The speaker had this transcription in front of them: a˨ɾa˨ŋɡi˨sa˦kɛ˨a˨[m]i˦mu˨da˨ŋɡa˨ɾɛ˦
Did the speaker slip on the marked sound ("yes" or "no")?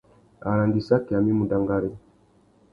no